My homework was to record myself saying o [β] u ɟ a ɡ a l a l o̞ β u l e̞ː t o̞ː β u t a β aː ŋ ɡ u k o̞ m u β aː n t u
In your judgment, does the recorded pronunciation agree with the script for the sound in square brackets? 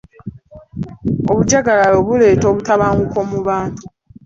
yes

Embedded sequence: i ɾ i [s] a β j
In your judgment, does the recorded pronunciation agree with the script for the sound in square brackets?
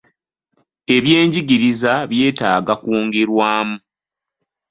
no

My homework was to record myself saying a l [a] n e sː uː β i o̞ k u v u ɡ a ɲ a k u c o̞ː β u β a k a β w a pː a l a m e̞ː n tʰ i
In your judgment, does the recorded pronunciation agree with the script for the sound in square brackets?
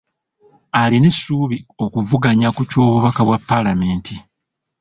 no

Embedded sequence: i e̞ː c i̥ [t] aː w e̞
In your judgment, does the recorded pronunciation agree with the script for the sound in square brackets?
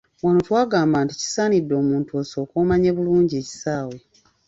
no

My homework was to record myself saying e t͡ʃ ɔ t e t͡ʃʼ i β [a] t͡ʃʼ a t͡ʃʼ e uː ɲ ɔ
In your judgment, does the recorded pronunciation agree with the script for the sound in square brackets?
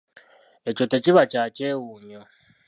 yes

